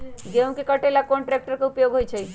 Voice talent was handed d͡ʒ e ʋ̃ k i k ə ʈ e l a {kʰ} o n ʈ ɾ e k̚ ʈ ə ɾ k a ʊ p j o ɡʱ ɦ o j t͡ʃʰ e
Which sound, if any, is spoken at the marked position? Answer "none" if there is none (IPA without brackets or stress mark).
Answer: k